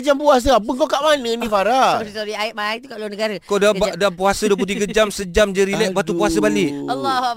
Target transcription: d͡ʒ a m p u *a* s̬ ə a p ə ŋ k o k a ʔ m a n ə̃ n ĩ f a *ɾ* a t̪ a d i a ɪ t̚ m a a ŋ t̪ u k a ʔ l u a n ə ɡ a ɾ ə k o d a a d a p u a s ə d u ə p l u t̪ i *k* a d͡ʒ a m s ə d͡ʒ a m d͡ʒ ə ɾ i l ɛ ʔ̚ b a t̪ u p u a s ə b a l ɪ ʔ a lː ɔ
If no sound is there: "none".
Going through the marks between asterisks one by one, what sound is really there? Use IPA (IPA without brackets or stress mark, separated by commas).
a, ɾ, ɡ